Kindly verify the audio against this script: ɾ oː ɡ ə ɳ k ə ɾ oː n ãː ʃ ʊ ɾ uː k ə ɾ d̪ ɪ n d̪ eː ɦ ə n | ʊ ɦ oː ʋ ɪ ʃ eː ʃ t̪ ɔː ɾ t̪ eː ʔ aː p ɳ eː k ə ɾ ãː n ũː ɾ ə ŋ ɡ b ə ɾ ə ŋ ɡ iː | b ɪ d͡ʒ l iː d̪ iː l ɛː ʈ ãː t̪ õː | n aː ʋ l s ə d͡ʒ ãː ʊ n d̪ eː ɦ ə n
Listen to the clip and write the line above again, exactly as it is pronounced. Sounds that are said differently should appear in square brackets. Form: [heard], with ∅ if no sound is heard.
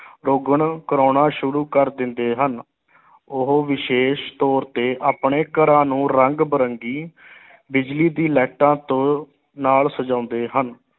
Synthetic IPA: ɾ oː ɡ ə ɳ k ə ɾ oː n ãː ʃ ʊ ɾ uː k ə ɾ d̪ ɪ n d̪ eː ɦ ə n | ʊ ɦ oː ʋ ɪ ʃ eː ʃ t̪ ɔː ɾ t̪ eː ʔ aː p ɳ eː k ə ɾ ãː n ũː ɾ ə ŋ ɡ b ə ɾ ə ŋ ɡ iː | b ɪ d͡ʒ l iː d̪ iː l ɛː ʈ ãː t̪ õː | n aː [∅] l s ə d͡ʒ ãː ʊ n d̪ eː ɦ ə n

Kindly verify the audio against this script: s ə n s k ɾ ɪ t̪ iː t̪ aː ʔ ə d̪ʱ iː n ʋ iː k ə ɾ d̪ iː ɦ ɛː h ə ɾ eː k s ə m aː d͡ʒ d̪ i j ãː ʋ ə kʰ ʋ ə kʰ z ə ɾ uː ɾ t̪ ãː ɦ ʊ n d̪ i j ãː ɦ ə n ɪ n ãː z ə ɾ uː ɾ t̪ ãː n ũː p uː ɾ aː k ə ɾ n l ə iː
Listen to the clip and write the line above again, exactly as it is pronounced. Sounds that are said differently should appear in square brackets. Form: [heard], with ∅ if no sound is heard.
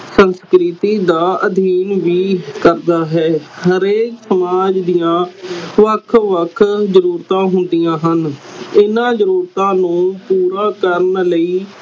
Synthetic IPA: s ə n s k ɾ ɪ t̪ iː [d̪] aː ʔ ə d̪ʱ iː n ʋ iː k ə ɾ d̪ [aː] ɦ ɛː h ə ɾ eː k s ə m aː d͡ʒ d̪ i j ãː ʋ ə kʰ ʋ ə kʰ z ə ɾ uː ɾ t̪ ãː ɦ ʊ n d̪ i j ãː ɦ ə n ɪ n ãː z ə ɾ uː ɾ t̪ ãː n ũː p uː ɾ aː k ə ɾ n l ə iː

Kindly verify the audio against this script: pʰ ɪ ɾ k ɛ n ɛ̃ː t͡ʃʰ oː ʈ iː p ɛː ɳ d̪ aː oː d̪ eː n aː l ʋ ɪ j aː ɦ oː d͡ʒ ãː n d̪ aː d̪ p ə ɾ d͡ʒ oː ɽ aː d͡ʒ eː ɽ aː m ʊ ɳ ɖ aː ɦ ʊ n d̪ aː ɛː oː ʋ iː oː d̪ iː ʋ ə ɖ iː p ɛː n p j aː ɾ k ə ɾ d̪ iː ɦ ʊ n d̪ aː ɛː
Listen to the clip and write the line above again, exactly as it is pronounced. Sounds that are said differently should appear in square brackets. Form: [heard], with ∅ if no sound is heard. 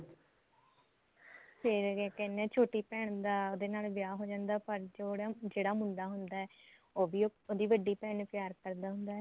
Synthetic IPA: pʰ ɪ ɾ k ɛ n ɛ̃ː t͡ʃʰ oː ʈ iː p ɛː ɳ d̪ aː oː d̪ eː n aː l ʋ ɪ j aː ɦ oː d͡ʒ ãː n d̪ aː [∅] p ə ɾ d͡ʒ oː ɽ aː d͡ʒ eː ɽ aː m ʊ ɳ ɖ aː ɦ ʊ n d̪ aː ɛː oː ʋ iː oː d̪ iː ʋ ə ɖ iː p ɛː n p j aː ɾ k ə ɾ d̪ [aː] ɦ ʊ n d̪ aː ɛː

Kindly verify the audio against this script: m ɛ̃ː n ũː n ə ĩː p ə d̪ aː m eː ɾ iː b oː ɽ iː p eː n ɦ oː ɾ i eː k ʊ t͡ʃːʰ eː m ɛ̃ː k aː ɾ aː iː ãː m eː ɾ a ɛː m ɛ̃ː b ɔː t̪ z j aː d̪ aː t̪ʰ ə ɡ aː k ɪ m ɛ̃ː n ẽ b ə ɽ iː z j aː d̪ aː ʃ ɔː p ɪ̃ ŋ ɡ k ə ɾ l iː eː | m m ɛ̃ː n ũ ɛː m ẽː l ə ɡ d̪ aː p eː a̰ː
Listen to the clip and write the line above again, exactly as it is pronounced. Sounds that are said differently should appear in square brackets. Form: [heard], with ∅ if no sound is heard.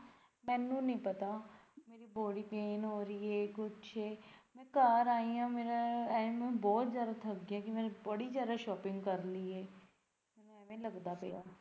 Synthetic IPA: m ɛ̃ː n ũː n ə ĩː p ə [t̪] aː m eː ɾ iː b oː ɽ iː p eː n ɦ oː ɾ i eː k ʊ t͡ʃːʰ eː m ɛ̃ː k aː ɾ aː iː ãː m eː ɾ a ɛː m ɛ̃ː b ɔː t̪ z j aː d̪ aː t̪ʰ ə ɡ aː k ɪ m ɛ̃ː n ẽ b ə ɽ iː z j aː d̪ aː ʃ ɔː p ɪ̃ ŋ ɡ k ə ɾ l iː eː | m m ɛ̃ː n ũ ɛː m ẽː l ə ɡ d̪ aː p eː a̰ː

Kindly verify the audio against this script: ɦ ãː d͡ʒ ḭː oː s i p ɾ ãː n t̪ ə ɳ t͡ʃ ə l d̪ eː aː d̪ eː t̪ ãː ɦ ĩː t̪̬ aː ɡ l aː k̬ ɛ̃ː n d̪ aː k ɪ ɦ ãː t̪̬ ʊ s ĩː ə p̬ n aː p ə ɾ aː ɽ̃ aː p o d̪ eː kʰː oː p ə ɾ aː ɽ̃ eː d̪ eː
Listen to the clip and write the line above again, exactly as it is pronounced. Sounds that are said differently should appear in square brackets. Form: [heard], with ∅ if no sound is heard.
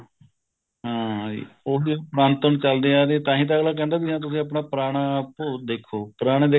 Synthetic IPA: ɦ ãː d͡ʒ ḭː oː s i p ɾ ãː n t̪ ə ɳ t͡ʃ ə l d̪ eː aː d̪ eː t̪ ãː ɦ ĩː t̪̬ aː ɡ l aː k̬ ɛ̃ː n d̪ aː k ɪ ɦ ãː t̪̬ ʊ s ĩː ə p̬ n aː p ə ɾ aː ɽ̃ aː p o d̪ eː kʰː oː p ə ɾ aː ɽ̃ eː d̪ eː

